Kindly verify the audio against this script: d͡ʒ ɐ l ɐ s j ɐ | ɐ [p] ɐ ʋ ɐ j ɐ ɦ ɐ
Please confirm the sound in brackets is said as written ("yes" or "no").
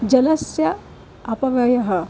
yes